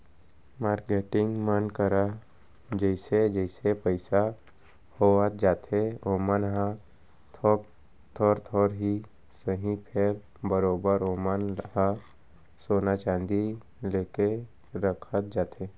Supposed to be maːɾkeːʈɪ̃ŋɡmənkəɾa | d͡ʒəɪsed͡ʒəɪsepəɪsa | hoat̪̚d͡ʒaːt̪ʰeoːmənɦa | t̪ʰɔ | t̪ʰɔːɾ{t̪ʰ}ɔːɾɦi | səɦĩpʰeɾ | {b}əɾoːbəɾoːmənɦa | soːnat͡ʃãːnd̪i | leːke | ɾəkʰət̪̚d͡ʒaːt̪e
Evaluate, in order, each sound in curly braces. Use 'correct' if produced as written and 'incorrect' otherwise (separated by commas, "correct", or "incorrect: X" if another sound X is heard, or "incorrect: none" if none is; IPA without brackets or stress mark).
correct, correct